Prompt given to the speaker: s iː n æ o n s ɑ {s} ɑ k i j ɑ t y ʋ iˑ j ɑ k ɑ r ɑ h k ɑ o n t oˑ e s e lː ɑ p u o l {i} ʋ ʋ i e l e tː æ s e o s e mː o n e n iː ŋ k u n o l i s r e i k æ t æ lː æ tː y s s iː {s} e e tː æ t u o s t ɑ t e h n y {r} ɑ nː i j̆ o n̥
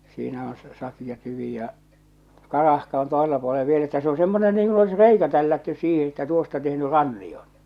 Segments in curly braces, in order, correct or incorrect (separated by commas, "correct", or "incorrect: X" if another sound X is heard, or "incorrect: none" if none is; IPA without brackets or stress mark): correct, incorrect: e, incorrect: h, correct